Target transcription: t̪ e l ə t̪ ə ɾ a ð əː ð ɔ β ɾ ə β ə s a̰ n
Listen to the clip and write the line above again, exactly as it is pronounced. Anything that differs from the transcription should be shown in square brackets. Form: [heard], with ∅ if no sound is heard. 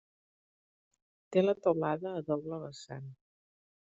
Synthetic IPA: t̪ e l ə t̪ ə [l] a ð əː ð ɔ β [l] ə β ə s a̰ n